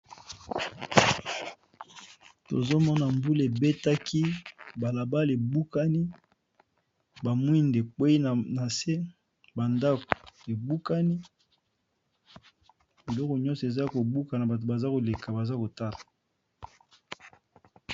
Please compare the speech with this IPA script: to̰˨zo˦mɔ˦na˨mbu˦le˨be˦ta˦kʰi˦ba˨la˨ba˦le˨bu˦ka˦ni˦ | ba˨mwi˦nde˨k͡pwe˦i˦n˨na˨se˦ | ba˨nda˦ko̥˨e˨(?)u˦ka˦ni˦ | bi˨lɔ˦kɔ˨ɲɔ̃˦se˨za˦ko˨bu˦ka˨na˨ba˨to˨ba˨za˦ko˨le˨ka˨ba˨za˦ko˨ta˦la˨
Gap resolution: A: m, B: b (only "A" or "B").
B